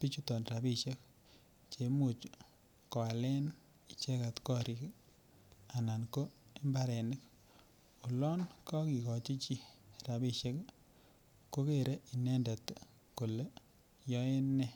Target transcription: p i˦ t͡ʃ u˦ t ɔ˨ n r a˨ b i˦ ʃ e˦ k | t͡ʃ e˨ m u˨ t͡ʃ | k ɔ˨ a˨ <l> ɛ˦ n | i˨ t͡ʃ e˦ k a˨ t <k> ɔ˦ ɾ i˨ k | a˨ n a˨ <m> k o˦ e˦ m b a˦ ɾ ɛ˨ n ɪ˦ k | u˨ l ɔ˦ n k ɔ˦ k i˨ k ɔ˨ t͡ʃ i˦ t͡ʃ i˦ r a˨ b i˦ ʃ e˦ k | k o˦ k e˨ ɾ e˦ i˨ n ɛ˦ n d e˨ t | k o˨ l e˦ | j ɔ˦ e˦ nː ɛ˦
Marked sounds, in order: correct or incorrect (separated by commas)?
correct, correct, incorrect